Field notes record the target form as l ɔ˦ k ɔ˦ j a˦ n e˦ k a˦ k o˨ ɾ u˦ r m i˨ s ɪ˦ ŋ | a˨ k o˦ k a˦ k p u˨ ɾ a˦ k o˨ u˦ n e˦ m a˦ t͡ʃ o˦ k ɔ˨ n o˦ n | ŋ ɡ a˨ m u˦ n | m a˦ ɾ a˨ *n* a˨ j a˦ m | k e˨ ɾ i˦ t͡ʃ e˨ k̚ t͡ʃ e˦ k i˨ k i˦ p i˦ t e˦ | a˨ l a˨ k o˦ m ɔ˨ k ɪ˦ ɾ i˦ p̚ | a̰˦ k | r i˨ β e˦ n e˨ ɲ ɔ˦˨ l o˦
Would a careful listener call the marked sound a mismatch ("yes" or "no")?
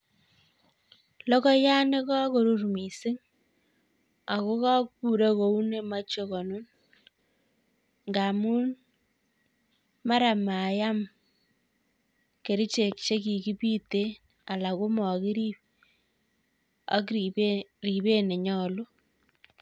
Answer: yes